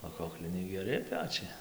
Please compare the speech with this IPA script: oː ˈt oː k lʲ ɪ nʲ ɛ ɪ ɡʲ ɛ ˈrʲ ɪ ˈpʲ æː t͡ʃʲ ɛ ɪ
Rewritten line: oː ˈk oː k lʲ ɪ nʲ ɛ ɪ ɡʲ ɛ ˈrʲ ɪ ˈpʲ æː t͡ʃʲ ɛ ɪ